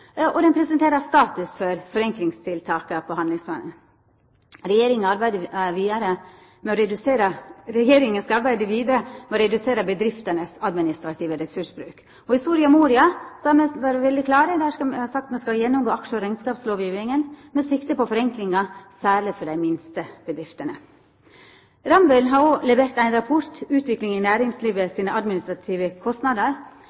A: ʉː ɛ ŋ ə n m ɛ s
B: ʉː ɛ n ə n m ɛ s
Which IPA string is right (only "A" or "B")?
A